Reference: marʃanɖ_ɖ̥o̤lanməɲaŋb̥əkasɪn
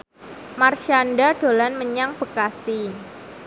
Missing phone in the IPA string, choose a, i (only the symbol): a